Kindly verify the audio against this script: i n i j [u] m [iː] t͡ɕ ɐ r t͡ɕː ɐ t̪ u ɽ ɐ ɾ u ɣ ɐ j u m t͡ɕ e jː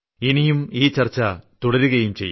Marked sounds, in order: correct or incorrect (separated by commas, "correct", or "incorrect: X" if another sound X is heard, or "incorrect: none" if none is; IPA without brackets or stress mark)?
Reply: correct, correct